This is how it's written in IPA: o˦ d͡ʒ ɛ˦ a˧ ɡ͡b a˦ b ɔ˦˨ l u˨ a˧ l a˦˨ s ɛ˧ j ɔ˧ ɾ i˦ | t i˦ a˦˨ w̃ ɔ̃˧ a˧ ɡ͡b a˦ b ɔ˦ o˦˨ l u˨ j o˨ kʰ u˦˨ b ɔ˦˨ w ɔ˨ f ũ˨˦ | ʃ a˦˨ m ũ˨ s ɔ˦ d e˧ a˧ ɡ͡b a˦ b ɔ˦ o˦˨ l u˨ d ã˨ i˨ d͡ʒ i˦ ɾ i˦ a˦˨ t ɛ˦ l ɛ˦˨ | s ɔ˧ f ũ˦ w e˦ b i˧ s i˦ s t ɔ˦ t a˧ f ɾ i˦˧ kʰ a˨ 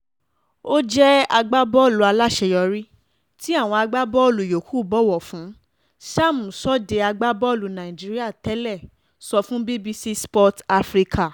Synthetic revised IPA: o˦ d͡ʒ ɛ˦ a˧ ɡ͡b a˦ b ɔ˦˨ l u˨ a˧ l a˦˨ ʃ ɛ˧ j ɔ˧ ɾ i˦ | t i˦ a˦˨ w̃ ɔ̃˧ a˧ ɡ͡b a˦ b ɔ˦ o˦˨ l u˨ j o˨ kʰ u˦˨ b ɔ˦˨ w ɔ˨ f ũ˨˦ | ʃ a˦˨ m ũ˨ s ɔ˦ d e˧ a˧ ɡ͡b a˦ b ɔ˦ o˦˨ l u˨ n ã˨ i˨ d͡ʒ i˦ ɾ i˦ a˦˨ t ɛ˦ l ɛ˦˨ | s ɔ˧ f ũ˦ b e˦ b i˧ s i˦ s p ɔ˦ t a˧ f ɾ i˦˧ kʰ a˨